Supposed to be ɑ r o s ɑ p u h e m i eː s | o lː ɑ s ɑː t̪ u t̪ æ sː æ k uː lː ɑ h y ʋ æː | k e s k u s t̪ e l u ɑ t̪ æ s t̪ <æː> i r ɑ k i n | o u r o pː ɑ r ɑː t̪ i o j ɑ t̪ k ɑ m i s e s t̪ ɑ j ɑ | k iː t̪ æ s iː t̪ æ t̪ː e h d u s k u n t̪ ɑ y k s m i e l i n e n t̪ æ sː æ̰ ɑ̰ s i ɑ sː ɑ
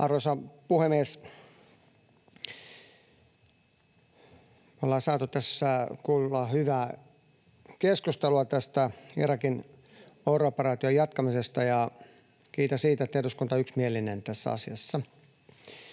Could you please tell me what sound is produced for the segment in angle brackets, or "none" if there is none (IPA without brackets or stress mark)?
æ